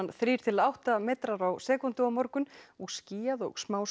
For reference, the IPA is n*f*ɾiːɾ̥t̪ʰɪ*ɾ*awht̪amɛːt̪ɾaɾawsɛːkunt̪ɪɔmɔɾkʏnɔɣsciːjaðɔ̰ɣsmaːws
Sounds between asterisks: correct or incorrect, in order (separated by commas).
incorrect, incorrect